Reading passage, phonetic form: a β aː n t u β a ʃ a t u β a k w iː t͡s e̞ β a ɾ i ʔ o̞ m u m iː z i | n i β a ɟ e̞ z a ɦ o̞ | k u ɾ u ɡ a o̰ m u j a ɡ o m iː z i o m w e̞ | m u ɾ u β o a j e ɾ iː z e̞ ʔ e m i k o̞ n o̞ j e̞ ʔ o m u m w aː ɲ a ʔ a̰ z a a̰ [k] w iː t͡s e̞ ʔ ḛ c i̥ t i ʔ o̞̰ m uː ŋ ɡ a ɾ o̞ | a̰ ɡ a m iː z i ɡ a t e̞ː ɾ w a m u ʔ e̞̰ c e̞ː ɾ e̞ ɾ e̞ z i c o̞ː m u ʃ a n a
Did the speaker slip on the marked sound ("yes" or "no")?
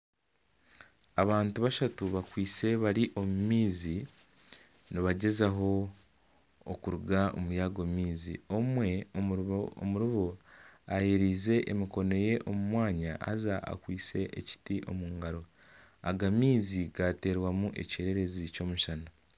no